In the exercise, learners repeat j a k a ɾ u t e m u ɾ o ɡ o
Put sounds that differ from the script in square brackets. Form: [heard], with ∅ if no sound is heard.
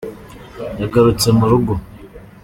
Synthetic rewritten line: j a [ɡ] a ɾ u [t͡s] e m u ɾ [u] ɡ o